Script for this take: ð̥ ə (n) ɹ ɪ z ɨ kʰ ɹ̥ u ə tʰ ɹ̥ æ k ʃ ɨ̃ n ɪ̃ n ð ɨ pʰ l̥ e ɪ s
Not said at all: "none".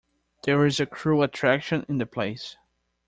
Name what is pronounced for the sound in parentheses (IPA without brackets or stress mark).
none